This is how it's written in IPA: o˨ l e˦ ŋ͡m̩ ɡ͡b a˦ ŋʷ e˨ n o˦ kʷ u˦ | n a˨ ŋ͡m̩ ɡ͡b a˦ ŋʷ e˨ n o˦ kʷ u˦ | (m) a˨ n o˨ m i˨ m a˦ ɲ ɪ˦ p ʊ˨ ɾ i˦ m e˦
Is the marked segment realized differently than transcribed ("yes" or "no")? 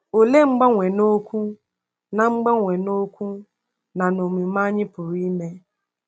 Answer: yes